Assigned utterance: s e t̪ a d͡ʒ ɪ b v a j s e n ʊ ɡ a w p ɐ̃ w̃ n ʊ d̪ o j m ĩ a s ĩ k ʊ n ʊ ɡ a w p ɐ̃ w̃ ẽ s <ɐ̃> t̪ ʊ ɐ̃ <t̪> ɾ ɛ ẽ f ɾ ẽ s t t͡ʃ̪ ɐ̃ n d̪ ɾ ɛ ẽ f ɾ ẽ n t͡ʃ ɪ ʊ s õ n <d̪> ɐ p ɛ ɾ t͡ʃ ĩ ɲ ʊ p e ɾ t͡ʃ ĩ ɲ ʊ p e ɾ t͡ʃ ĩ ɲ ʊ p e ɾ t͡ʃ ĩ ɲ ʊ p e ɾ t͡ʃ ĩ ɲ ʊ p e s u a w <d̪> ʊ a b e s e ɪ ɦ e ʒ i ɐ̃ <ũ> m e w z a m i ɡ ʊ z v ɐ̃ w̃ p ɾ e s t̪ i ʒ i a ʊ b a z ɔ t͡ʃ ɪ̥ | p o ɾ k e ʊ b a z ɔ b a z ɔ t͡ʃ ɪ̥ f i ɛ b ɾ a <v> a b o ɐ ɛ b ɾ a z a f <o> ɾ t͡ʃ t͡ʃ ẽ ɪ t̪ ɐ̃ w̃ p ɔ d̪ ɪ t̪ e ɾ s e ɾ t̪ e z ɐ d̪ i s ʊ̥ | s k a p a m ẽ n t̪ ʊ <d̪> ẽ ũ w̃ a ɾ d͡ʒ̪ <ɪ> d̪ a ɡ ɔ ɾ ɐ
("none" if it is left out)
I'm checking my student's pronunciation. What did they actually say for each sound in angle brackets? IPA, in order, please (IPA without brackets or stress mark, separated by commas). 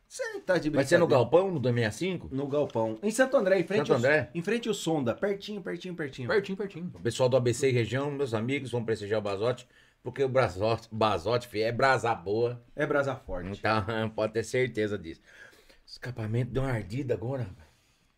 ɐ̃, d̪, d̪, d̪, w̃, z, ɔ, d̪, i